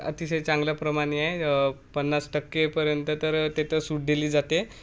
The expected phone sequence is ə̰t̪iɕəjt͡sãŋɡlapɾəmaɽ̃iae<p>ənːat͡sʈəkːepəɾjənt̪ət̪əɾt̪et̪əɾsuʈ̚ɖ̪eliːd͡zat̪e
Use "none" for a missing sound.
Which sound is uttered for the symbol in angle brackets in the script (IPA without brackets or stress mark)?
p